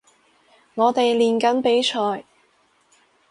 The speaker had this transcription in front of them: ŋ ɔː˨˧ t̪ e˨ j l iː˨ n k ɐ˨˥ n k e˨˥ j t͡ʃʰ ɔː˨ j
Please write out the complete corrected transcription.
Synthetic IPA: ŋ ɔː˨˧ t̪ e˨ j l iː˨ n k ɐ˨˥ n p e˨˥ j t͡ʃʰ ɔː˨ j